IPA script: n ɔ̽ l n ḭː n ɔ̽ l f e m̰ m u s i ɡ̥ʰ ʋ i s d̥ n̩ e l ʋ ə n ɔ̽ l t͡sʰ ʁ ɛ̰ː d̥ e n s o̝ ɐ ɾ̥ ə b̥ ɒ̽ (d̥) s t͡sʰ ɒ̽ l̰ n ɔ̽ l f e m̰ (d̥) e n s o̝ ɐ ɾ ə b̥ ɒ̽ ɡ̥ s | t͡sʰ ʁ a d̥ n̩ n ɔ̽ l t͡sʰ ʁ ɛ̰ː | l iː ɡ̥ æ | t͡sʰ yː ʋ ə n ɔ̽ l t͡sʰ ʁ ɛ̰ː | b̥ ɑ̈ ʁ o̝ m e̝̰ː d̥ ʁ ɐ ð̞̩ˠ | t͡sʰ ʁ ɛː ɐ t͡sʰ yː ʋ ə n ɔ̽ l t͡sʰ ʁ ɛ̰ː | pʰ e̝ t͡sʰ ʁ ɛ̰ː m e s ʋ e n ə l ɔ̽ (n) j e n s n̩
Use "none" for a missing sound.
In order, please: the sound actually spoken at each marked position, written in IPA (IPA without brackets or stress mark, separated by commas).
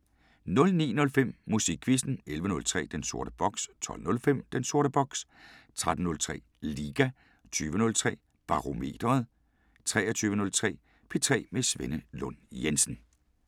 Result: ɡ̥, d̥, n